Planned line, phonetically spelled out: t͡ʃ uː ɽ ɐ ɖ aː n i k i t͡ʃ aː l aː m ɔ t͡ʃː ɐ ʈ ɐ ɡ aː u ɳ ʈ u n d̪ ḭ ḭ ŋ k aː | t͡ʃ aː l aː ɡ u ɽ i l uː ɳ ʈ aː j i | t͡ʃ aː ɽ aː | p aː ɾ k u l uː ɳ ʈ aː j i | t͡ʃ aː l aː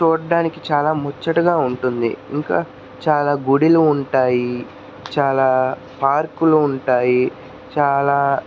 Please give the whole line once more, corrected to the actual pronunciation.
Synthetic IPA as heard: t͡ʃ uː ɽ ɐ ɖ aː n i k i t͡ʃ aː l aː m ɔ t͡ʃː ɐ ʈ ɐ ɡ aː u ɳ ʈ u n d̪ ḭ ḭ ŋ k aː | t͡ʃ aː l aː ɡ u ɽ i l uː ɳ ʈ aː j i | t͡ʃ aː l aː | p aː ɾ k u l uː ɳ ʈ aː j i | t͡ʃ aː l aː

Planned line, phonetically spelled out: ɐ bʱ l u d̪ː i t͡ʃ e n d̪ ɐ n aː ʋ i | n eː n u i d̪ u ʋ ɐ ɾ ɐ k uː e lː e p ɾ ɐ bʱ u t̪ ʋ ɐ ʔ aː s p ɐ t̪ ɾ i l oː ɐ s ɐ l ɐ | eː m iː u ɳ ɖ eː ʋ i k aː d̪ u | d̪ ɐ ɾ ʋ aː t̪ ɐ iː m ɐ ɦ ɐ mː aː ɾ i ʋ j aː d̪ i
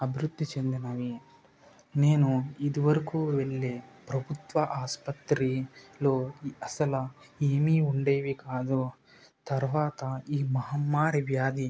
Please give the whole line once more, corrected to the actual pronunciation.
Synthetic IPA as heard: ɐ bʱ ɾ u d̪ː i t͡ʃ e n d̪ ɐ n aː ʋ i | n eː n u i d̪ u ʋ ɐ ɾ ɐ k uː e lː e p ɾ ɐ bʱ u t̪ ʋ ɐ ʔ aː s p ɐ t̪ ɾ i l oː ɐ s ɐ l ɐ | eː m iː u ɳ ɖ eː ʋ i k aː d̪ u | t̪ ɐ ɾ ʋ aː t̪ ɐ iː m ɐ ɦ ɐ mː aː ɾ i ʋ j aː d̪ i

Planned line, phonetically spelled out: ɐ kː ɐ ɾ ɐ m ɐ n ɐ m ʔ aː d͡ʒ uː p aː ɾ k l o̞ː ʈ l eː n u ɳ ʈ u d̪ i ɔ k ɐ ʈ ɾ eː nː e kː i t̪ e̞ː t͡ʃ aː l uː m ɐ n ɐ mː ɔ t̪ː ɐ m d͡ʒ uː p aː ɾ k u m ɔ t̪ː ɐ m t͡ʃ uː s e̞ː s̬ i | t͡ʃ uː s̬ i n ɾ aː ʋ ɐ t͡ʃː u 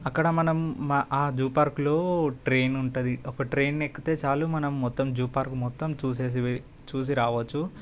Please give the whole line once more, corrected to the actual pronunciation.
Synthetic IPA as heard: ɐ kː ɐ ɽ ɐ m ɐ n ɐ m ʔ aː d͡ʒ uː p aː ɾ k l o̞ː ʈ ɾ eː n u ɳ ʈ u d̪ i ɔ k ɐ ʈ ɾ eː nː e kː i t̪ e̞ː t͡ʃ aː l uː m ɐ n ɐ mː ɔ t̪ː ɐ m d͡ʒ uː p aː ɾ k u m ɔ t̪ː ɐ m t͡ʃ uː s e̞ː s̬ i | t͡ʃ uː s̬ i ɾ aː ʋ ɐ t͡ʃː u

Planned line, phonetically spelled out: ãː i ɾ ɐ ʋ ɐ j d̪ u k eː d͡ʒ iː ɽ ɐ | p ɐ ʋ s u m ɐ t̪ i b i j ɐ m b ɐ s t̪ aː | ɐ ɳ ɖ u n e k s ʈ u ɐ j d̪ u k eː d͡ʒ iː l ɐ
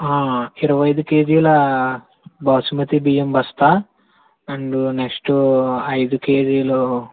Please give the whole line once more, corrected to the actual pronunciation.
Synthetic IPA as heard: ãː i ɾ ɐ ʋ ɐ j d̪ u k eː d͡ʒ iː l ɐ | b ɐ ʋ s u m ɐ t̪ i b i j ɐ m b ɐ s t̪ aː | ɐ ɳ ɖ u n e k s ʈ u ɐ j d̪ u k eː d͡ʒ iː l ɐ

